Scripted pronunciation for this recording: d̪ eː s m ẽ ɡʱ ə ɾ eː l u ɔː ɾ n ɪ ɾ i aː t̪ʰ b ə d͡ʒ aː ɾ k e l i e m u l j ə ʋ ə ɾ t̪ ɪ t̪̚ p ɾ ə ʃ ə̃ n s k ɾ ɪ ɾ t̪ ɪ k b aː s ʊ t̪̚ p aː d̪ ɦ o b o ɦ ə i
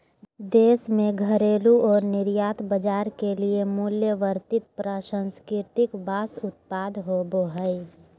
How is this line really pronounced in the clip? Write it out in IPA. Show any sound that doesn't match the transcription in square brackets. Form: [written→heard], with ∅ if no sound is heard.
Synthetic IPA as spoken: d̪ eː s m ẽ ɡʱ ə ɾ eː l u ɔː ɾ n ɪ ɾ [i→j] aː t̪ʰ b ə d͡ʒ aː ɾ k e l i e m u l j ə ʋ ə ɾ t̪ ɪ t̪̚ p ɾ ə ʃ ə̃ n s k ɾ ɪ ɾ t̪ ɪ k b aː s ʊ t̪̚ p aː d̪ ɦ o b o ɦ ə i